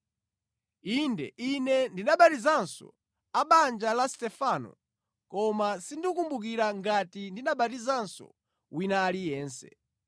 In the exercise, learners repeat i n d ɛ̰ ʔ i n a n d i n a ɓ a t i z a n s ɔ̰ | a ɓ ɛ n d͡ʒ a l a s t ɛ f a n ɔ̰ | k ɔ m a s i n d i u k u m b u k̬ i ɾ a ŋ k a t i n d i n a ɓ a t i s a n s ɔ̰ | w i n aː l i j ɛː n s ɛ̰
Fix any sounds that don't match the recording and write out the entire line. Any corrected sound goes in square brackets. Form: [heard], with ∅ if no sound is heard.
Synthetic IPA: i n d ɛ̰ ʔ i n [ɛ] n d i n a ɓ a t i z a n s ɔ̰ | a ɓ [a] n d͡ʒ a l a s t ɛ f a n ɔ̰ | k ɔ m a s i n d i u k u m b u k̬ i ɾ a ŋ [ɡ] a t i n d i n a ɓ a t i [z] a n s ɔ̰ | w i n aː l i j ɛː n s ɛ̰